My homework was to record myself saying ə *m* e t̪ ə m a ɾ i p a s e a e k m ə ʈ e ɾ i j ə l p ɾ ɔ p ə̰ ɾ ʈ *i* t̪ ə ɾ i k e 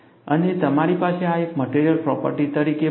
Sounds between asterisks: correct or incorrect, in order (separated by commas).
incorrect, correct